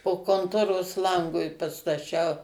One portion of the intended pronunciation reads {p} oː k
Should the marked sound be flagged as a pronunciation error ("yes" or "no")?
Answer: no